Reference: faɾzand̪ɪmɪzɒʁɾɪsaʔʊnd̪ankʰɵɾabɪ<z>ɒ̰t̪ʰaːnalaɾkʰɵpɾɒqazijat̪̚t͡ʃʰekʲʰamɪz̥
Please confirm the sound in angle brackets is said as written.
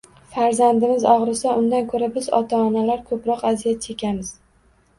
yes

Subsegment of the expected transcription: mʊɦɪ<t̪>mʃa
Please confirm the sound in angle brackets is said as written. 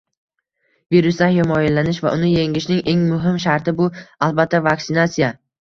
no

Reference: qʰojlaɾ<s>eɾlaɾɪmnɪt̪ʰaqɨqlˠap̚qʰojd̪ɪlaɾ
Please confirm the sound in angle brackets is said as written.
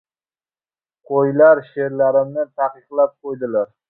no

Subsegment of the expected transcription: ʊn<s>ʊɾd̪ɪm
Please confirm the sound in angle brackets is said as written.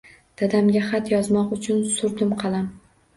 yes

